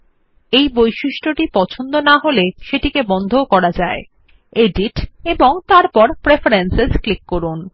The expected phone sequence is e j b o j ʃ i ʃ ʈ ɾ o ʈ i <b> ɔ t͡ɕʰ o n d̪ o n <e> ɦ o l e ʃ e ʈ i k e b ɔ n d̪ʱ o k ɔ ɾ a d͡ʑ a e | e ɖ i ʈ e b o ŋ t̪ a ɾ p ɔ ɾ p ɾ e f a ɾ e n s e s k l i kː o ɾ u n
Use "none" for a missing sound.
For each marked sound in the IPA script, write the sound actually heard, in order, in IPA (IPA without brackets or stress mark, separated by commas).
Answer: p, a